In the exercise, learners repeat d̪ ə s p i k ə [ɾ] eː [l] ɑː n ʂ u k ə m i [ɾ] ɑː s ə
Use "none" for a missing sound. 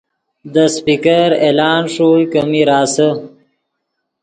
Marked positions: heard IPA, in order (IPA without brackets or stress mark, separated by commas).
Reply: ɾ, l, ɾ